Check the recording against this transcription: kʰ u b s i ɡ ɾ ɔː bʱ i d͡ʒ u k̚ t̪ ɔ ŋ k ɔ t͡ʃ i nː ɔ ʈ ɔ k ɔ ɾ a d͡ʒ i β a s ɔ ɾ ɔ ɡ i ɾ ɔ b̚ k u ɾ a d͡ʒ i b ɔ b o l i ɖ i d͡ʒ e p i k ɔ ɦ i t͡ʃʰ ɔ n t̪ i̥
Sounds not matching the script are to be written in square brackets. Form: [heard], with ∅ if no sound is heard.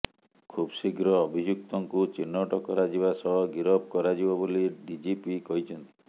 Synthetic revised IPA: kʰ u b s i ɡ ɾ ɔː bʱ i d͡ʒ u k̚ t̪ ɔ ŋ k [u] t͡ʃ i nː ɔ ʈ ɔ k ɔ ɾ a d͡ʒ i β a s ɔ [ɭ] ɔ ɡ i ɾ ɔ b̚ k [ɔ] ɾ a d͡ʒ i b ɔ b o l i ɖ i d͡ʒ [i] p i k ɔ ɦ i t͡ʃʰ ɔ n t̪ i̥